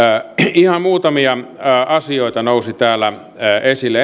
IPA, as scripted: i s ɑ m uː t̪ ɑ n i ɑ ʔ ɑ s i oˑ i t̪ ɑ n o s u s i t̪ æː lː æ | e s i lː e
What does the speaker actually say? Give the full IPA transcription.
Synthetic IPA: i h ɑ m uː t̪ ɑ m i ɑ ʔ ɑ s i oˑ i t̪ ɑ n o u s i t̪ æː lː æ | e s i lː e